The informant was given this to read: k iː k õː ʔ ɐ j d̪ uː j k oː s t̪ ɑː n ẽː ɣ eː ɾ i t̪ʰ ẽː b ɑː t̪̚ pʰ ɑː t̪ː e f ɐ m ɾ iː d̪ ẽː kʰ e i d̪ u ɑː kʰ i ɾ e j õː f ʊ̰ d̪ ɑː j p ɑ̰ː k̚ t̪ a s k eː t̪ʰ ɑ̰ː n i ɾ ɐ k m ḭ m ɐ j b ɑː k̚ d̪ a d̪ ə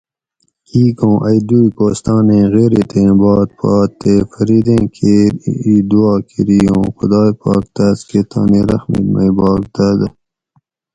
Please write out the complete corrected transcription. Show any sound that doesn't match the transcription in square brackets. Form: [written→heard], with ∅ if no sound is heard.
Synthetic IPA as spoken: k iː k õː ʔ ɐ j d̪ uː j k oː s t̪ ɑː n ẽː ɣ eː ɾ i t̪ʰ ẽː b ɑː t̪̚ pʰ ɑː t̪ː e f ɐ [m→∅] ɾ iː d̪ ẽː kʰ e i d̪ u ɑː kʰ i ɾ [e→i] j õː [f→x] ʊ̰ d̪ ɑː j p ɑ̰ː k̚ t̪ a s k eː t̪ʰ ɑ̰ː n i ɾ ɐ [k→x] m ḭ m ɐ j b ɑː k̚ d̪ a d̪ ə